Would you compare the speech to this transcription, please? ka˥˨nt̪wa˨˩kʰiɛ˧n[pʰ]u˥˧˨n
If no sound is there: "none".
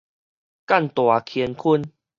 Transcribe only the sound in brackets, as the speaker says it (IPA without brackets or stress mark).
kʰ